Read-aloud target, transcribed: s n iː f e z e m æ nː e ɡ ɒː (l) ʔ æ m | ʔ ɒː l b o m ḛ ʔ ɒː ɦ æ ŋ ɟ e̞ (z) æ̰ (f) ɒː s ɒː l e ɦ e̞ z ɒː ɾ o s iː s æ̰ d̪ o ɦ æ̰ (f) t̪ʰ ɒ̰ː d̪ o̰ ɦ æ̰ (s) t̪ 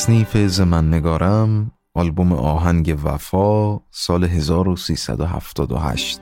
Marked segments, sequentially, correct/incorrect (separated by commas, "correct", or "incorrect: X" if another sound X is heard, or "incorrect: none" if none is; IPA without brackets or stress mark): incorrect: ɾ, incorrect: v, correct, correct, incorrect: ʃ